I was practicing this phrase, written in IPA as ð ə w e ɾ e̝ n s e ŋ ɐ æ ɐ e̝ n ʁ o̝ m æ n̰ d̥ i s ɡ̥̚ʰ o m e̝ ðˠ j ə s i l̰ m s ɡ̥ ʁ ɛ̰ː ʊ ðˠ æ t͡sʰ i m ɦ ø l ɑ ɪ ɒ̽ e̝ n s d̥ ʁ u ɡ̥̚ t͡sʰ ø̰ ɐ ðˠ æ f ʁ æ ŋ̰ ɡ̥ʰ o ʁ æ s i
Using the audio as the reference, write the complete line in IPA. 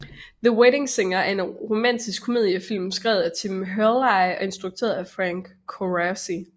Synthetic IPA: ð ə w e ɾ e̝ ŋ s e ŋ ɐ æ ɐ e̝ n ʁ o̝ m æ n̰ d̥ i s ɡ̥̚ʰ o m e̝ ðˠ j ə f i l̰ m s ɡ̥ ʁ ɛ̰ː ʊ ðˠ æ t͡sʰ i m ɦ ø l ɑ ɪ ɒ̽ e̝ n s d̥ ʁ u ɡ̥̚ t͡sʰ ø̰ ɐ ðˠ æ f ʁ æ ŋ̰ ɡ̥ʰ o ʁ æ s i

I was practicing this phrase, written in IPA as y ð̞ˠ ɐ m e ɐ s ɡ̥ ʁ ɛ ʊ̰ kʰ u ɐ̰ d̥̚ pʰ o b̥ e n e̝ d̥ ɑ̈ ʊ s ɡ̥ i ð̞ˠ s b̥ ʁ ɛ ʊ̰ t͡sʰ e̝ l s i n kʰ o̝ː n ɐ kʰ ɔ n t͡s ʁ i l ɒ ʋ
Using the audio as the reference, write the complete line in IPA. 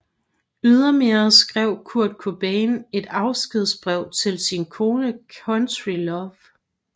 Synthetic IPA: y ð̞ˠ ɐ m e ɐ s ɡ̥ ʁ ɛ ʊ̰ kʰ u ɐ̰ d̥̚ kʰ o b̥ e n e̝ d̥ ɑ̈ ʊ s ɡ̥ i ð̞ˠ s b̥ ʁ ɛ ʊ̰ t͡sʰ e̝ l s i n kʰ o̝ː n ə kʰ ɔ n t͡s ʁ i l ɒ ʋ

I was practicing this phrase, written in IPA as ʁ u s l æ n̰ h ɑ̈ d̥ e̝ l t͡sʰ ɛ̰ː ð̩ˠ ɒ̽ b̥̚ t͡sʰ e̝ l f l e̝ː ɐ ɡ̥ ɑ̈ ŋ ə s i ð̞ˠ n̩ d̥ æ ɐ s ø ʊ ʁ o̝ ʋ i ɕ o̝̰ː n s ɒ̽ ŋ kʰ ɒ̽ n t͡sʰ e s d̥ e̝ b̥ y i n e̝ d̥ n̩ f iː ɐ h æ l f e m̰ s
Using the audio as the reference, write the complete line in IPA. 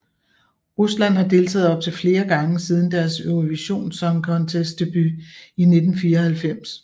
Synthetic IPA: ʁ u s l æ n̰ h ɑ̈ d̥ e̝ l t͡sʰ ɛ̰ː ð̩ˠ ɒ̽ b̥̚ t͡sʰ e̝ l f l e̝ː ɐ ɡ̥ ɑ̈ ŋ ə s i ð̞ˠ n̩ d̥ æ ɐ s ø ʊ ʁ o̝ ʋ i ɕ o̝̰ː n s ɒ̽ ŋ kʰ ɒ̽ n t͡sʰ e s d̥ e̝ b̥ y i n e̝ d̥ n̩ f iː ɐ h æ l f e m̰ s

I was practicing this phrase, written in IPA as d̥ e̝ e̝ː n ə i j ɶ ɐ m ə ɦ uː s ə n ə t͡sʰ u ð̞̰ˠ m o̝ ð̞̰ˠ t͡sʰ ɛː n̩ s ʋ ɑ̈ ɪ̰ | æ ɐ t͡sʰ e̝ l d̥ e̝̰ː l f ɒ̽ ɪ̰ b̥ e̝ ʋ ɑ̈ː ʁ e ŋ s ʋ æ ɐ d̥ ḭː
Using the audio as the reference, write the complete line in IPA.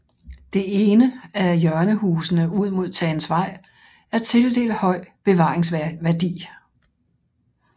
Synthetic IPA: d̥ e̝ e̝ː n ə æ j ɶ ɐ n ə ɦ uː s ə n ə u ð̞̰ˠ m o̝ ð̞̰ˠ t͡sʰ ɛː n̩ s ʋ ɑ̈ ɪ̰ | æ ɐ t͡sʰ e̝ l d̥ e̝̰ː l h ɒ̽ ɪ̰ b̥ e̝ ʋ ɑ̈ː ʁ e ŋ s ʋ æ ɐ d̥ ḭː

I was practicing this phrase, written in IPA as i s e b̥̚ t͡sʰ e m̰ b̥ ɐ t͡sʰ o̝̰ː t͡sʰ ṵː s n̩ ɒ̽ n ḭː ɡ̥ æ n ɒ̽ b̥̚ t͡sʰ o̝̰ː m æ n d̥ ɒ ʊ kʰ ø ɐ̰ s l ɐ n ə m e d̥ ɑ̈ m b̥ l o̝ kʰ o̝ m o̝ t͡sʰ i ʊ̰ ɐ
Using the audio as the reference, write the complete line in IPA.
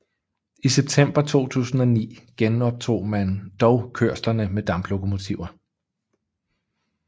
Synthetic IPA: i s e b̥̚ t͡sʰ e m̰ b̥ ɐ t͡sʰ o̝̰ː t͡sʰ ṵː s n̩ ɒ̽ n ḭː ɡ̥ e n ɒ̽ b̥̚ t͡sʰ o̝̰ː m æ n d̥ ɒ ʊ kʰ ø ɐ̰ s l ɐ n ə m e d̥ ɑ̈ m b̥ l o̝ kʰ o̝ m o̝ t͡sʰ i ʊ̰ ɐ

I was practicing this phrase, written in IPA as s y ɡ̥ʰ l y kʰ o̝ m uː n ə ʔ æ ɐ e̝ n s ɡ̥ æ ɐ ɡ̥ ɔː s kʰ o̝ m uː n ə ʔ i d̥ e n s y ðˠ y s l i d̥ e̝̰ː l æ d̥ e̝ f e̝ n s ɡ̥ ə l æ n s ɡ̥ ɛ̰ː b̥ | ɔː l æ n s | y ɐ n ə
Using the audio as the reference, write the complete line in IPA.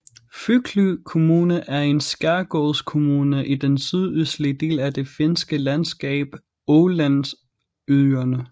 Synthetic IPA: f y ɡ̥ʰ l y kʰ o̝ m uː n ə ʔ æ ɐ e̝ n s ɡ̥ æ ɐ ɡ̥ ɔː s kʰ o̝ m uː n ə ʔ i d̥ e n s y ðˠ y s l i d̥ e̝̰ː l æ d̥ e̝ f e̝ n s ɡ̥ ə l æ n s ɡ̥ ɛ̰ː b̥ | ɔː l æ n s | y ɐ n ə

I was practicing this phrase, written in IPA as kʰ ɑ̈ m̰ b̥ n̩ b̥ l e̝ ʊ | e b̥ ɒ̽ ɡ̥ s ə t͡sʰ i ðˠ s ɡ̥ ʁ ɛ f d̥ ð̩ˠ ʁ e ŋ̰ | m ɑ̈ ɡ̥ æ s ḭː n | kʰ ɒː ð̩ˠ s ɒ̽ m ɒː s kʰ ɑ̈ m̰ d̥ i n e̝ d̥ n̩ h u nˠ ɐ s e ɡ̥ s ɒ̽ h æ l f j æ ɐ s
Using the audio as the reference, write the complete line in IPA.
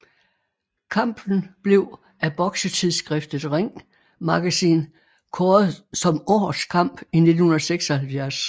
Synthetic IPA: kʰ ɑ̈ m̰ b̥ n̩ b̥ l e̝ ʊ | æ b̥ ɒ̽ ɡ̥ s ə t͡sʰ i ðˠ s ɡ̥ ʁ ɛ f d̥ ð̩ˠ ʁ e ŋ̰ | m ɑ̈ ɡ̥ æ s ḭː n | kʰ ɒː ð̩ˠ s ɒ̽ m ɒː s kʰ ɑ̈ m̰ b̥ i n e̝ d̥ n̩ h u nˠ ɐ s e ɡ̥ s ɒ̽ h æ l f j æ ɐ s

